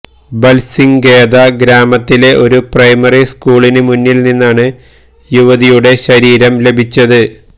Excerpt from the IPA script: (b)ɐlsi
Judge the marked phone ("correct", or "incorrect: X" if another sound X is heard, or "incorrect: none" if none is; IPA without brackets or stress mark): correct